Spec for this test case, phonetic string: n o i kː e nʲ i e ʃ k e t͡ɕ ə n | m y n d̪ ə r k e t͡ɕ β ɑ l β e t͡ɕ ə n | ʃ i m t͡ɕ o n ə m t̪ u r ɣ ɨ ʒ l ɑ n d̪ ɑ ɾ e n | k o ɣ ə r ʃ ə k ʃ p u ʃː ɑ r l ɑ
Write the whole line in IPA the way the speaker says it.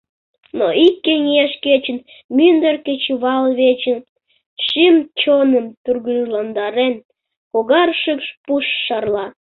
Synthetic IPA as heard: n o i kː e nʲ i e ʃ k e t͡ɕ ə n | m y n d̪ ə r k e t͡ɕ β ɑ l β e t͡ɕ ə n | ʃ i m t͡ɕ o n ə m t̪ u r ɣ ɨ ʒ l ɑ n d̪ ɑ ɾ e n | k o ɣ ɑ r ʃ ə k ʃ p u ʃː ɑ r l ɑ